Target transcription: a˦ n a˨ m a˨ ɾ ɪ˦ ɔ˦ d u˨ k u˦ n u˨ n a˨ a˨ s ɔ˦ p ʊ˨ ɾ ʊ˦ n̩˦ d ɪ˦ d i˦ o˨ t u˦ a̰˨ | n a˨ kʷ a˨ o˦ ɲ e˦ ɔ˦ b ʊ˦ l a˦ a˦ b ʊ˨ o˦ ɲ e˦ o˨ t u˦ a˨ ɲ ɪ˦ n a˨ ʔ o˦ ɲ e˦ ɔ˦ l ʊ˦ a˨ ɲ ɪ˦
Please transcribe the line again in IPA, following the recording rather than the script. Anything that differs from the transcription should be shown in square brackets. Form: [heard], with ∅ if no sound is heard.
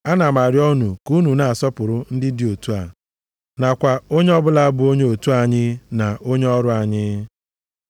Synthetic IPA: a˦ n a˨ m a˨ ɾ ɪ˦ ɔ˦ [n] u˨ k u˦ n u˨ n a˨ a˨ s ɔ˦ p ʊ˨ ɾ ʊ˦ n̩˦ d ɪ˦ d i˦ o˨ t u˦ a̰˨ | n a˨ kʷ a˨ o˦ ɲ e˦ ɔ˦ b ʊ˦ l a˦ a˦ b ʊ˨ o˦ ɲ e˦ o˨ t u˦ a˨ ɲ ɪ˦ n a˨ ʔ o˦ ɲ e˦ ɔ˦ [ɾ] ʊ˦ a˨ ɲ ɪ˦